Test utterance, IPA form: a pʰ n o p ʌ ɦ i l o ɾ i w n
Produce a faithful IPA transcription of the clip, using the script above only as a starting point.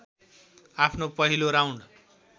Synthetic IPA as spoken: a pʰ n o p ʌ ɦ i l o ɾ a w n